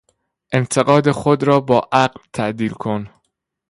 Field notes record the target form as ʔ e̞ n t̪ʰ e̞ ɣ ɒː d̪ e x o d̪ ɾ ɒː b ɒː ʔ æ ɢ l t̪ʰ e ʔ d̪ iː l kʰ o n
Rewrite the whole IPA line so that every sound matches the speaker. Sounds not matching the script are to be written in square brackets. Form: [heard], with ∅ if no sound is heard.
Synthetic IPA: ʔ e̞ n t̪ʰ e̞ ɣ ɒː d̪ e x o d̪ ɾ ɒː b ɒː ʔ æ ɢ l t̪ʰ [æ] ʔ d̪ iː l kʰ o n